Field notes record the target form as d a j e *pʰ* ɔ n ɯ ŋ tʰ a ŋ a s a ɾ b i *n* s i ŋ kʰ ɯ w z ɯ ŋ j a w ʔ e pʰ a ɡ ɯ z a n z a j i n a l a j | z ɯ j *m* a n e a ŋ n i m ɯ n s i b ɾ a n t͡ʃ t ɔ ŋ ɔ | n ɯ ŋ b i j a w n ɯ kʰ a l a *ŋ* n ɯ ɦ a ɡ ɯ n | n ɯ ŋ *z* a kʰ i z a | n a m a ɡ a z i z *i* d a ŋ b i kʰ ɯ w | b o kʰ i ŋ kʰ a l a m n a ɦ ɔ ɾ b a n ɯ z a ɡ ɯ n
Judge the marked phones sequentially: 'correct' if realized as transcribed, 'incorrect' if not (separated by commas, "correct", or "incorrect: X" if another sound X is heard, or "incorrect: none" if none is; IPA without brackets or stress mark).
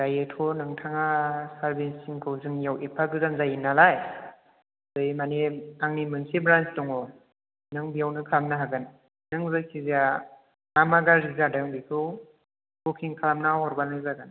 incorrect: tʰ, correct, correct, incorrect: m, correct, incorrect: a